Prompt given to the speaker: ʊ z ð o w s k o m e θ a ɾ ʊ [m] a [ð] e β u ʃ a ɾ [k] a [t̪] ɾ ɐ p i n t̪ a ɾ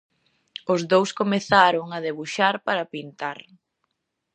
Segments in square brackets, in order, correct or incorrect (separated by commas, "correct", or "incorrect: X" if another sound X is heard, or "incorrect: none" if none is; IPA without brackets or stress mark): incorrect: ŋ, correct, incorrect: p, incorrect: none